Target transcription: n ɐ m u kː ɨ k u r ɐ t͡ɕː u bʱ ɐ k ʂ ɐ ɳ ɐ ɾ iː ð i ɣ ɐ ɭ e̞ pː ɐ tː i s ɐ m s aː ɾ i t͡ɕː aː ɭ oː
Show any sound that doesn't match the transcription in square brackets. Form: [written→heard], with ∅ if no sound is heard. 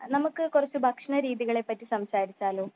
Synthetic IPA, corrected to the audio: n ɐ m u kː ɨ k u r ɐ t͡ɕː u bʱ ɐ k ʂ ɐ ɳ ɐ ɾ iː ð i ɣ ɐ ɭ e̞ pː ɐ tː i s ɐ m s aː ɾ i t͡ɕː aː [ɭ→l] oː